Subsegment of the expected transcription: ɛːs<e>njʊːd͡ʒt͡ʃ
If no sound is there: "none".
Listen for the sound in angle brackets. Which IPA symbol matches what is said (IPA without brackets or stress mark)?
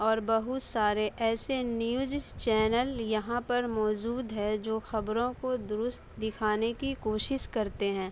e